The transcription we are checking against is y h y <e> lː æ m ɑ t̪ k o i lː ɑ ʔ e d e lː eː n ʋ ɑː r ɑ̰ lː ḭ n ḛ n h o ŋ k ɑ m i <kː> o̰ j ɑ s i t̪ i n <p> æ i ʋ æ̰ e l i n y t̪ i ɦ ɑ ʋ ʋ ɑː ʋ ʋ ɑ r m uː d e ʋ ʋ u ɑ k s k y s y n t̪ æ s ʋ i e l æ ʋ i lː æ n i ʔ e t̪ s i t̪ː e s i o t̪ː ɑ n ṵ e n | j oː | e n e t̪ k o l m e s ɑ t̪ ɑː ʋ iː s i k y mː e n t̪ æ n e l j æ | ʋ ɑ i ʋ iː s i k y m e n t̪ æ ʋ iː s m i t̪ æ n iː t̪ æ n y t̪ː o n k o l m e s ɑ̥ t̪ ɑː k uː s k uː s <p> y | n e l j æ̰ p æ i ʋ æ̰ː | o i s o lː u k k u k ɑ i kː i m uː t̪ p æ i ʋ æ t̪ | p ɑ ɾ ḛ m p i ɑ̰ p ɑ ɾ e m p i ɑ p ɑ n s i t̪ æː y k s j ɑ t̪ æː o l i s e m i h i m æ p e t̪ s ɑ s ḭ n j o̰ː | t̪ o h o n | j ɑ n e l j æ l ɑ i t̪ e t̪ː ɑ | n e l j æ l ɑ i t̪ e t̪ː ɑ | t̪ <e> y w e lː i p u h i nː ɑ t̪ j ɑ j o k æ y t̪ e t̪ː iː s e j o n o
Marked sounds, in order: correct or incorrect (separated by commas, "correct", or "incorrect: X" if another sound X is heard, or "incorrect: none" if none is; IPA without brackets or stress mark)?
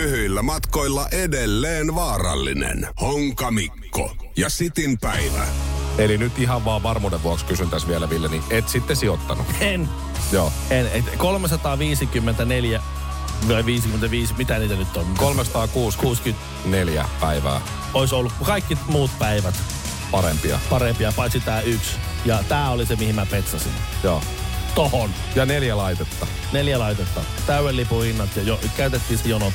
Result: incorrect: i, correct, correct, incorrect: k, incorrect: æ